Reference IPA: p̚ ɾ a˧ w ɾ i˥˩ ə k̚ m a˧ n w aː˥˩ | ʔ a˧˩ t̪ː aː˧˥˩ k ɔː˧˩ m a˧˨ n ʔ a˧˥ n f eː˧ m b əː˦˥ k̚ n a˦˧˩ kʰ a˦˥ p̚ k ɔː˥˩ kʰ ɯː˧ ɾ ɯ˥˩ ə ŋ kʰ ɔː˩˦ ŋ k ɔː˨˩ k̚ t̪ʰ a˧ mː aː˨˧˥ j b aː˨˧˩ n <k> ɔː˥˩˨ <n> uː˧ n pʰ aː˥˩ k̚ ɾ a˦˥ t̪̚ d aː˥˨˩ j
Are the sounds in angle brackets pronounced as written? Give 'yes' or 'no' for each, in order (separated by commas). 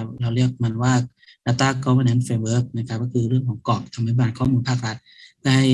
no, no